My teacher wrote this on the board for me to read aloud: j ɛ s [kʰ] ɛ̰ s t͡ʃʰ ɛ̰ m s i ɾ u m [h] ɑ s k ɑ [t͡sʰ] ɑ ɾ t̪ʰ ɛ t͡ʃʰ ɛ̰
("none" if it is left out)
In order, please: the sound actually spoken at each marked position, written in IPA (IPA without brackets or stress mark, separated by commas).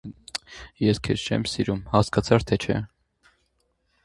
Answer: kʰ, h, t͡sʰ